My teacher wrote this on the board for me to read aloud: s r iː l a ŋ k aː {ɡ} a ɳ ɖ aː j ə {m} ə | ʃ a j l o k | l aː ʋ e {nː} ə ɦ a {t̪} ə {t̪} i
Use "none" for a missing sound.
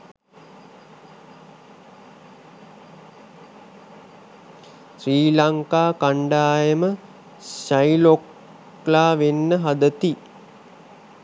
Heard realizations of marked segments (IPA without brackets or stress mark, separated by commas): k, m, nː, d̪, t̪